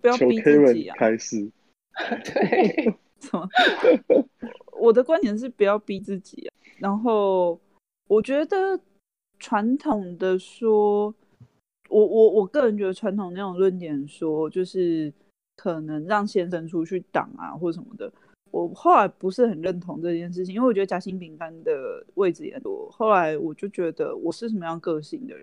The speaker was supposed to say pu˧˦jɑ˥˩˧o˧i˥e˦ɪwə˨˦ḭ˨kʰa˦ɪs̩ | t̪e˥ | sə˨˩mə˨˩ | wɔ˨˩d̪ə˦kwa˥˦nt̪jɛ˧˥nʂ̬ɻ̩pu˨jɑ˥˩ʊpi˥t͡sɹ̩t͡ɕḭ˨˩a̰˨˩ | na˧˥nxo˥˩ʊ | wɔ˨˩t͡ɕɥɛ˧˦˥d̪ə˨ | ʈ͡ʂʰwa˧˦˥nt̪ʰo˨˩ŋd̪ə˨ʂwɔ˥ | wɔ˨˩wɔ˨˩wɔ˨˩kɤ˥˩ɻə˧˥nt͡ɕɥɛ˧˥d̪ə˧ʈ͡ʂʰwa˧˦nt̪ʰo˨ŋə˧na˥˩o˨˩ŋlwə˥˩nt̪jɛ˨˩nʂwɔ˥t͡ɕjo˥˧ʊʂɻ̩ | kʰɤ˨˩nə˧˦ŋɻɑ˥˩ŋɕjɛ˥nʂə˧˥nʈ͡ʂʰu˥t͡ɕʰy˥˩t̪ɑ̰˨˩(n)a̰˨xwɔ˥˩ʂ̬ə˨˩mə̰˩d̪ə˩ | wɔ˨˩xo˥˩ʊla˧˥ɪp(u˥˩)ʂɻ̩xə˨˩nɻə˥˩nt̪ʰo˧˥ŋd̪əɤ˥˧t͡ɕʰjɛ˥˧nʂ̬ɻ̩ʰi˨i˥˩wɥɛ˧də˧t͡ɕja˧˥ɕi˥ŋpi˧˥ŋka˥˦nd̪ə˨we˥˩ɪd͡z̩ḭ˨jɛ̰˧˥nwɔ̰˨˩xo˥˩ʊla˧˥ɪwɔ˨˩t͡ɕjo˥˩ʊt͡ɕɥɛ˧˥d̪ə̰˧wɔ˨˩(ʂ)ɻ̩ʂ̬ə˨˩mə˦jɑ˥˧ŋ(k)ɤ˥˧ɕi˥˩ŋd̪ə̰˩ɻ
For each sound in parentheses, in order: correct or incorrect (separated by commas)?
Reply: incorrect, incorrect, correct, correct